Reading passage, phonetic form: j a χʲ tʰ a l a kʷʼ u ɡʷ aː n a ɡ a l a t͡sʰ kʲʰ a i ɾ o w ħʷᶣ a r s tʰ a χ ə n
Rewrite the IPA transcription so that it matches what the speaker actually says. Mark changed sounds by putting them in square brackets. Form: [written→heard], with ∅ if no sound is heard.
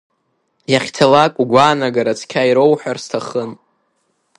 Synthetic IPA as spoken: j a χʲ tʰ a l a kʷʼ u ɡʷ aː n a ɡ a [l→ɾ] a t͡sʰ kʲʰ a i ɾ o w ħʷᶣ a r s tʰ a χ ə n